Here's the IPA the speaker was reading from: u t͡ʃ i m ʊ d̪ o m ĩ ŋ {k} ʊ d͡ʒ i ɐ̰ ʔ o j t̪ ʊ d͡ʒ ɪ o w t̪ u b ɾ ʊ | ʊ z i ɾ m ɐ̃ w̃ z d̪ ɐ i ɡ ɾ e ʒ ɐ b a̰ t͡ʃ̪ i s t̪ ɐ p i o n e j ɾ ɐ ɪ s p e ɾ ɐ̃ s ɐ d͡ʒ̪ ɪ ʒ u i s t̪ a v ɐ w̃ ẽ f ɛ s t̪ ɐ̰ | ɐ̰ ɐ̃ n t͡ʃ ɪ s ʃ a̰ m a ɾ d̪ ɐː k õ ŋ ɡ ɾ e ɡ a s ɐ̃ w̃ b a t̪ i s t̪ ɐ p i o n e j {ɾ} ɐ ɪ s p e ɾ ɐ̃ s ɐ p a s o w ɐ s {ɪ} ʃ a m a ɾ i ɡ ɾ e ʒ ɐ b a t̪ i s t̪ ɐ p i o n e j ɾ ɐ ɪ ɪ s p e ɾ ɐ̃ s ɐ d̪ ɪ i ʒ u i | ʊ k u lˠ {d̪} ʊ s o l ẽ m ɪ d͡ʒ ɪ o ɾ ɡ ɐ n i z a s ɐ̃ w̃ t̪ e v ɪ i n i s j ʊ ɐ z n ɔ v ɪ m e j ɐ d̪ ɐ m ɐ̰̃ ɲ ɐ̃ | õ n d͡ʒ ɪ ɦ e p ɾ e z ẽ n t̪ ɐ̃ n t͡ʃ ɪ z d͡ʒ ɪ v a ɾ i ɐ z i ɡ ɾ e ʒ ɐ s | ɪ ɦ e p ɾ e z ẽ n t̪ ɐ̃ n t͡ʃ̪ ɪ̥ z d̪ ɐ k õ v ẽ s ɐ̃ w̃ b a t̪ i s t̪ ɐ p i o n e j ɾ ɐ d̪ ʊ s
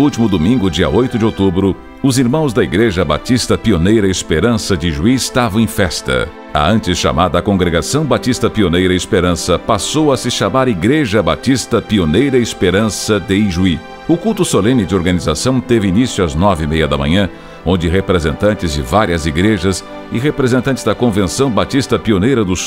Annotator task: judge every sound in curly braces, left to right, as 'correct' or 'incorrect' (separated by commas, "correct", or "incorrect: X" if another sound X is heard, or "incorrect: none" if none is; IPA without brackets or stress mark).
incorrect: ɡ, correct, correct, incorrect: t̪